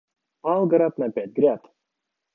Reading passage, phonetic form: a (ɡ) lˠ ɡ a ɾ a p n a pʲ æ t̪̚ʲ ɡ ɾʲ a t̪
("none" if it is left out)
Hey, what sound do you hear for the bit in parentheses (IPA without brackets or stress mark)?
none